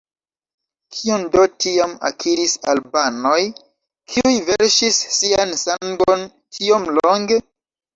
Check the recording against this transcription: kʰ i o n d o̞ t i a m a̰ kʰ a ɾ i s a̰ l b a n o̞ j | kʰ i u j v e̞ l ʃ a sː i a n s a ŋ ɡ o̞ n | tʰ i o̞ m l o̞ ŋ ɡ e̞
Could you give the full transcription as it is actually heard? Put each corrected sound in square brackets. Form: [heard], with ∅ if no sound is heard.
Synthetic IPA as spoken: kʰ i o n d o̞ t i a m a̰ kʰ [i] ɾ i s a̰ l b a n o̞ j | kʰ i u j v e̞ [ɾ] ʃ [i] sː i a n s a ŋ ɡ o̞ n | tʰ i o̞ m l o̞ ŋ ɡ e̞